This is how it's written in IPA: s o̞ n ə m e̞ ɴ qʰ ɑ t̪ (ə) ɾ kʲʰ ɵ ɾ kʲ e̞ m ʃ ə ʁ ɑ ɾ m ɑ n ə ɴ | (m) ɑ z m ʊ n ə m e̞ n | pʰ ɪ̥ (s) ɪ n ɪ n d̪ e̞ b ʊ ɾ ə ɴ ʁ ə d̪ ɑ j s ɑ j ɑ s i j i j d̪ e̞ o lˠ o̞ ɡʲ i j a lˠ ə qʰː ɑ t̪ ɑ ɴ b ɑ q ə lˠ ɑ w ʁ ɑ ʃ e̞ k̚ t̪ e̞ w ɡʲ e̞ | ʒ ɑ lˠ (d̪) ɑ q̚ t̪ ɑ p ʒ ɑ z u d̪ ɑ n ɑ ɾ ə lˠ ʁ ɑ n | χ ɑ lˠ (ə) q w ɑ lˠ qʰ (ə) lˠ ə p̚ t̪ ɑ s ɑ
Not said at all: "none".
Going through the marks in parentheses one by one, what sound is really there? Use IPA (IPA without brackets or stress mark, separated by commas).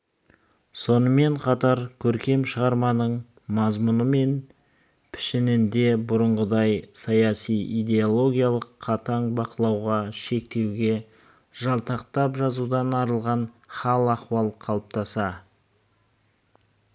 ɑ, m, ʃ, t̪, ɑ, ɑ